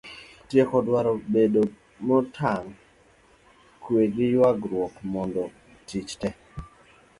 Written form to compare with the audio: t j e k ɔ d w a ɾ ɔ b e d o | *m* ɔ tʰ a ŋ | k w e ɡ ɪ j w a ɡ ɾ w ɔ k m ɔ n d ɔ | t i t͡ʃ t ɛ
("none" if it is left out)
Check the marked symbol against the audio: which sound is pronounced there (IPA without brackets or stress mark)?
m